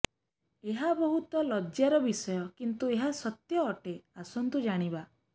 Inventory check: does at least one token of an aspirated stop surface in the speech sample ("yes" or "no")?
no